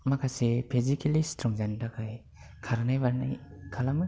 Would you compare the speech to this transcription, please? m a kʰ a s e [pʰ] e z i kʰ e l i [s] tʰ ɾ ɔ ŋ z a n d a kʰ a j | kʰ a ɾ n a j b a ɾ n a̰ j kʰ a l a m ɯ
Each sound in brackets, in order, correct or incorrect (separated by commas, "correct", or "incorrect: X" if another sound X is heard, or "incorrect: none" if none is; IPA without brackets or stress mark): correct, correct